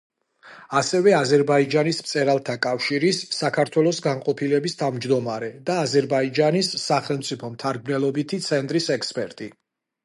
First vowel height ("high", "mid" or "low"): low